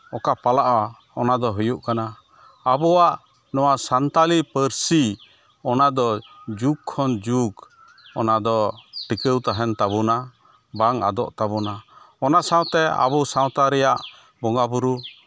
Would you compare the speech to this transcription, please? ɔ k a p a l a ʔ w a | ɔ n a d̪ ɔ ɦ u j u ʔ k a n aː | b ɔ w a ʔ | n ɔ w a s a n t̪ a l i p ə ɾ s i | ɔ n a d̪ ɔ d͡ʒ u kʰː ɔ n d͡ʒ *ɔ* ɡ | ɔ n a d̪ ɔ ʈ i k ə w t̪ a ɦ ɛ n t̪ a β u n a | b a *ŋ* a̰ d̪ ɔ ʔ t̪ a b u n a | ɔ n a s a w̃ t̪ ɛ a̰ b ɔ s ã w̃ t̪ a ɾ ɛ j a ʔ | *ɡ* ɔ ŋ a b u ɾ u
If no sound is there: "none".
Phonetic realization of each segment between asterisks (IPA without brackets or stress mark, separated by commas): u, ŋ, b